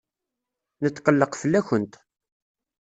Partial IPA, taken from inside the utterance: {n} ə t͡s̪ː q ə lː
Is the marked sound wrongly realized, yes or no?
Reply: no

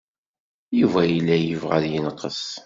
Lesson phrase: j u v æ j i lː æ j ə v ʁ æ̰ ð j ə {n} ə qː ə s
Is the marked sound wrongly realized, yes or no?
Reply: no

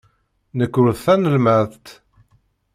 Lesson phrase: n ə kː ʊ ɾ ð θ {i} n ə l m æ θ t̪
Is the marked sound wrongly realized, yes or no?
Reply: yes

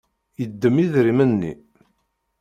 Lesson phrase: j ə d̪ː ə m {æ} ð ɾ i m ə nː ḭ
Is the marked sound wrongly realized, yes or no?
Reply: yes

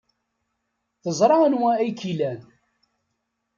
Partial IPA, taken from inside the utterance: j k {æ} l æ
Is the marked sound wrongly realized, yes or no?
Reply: yes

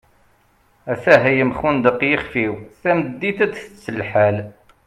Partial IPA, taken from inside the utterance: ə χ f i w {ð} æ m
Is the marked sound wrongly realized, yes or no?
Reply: yes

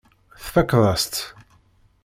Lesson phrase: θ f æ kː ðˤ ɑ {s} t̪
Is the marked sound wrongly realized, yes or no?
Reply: no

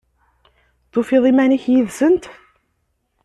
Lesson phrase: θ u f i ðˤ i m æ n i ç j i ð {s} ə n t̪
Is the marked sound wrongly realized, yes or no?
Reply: no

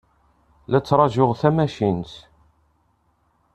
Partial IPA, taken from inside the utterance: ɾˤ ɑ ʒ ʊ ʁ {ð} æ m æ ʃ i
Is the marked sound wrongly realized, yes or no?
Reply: yes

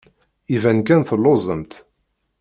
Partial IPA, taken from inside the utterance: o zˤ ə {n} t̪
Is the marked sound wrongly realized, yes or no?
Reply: yes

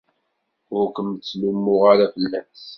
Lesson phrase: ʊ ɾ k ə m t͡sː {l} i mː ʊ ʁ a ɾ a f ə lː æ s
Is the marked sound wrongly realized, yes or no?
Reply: no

